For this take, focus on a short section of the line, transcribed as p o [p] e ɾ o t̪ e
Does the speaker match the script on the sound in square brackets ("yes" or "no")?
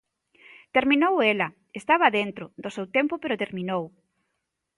yes